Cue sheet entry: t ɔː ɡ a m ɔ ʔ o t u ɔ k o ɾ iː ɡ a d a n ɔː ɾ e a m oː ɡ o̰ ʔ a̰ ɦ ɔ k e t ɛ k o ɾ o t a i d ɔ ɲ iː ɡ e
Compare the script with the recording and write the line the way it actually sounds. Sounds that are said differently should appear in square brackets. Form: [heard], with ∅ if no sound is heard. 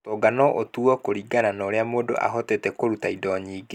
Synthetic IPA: t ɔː ɡ a [n] ɔ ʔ o t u ɔ k o ɾ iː ɡ a [n] a n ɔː ɾ e a m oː [d] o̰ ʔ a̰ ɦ ɔ [t] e t ɛ k o ɾ [u] t a i d ɔ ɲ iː ɡ e